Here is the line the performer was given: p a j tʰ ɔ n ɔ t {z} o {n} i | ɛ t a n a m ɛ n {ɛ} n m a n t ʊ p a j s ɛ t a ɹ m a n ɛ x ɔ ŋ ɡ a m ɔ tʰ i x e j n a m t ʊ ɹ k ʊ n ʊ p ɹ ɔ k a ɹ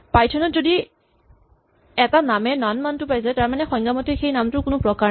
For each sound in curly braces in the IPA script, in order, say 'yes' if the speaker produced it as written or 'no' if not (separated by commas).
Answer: yes, no, no